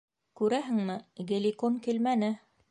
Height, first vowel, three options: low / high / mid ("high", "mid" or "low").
high